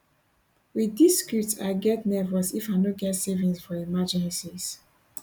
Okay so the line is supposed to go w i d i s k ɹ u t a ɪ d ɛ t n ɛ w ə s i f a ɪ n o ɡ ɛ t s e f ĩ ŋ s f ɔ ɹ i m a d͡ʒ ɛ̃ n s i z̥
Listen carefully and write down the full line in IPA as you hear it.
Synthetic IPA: w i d i s k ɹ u t a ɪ ɡ ɛ t n ɛ v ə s i f a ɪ n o ɡ ɛ t s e v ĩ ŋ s f ɔ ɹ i m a d͡ʒ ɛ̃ n s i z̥